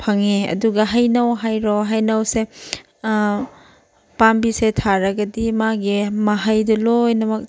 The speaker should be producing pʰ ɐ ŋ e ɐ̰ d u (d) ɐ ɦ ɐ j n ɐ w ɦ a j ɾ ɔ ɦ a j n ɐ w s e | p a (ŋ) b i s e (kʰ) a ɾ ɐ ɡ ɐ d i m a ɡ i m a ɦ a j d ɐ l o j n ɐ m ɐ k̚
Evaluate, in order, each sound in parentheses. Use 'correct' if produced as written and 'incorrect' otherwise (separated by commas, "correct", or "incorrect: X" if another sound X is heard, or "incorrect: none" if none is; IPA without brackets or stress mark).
incorrect: ɡ, incorrect: m, incorrect: tʰ